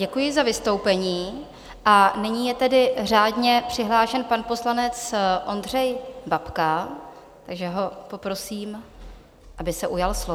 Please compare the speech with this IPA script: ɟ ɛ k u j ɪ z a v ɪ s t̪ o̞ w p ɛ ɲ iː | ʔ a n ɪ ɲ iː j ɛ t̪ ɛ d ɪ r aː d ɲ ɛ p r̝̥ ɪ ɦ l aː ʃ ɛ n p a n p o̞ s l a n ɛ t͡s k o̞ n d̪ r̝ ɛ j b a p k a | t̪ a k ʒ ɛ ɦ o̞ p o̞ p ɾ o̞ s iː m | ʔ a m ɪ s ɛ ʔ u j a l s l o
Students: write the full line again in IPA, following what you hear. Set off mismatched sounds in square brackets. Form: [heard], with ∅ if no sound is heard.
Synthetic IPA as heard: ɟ ɛ k u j ɪ z a v ɪ s t̪ o̞ w p ɛ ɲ iː | ʔ a n ɪ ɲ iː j ɛ t̪ ɛ d ɪ r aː d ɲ ɛ p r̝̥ ɪ ɦ l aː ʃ ɛ n p a n p o̞ s l a n ɛ t͡s [ʔ] o̞ n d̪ r̝ ɛ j b a p k a | t̪ a [ɡ] ʒ ɛ ɦ o̞ p o̞ p ɾ o̞ s iː m | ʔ a [b] ɪ s ɛ ʔ u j a l s l o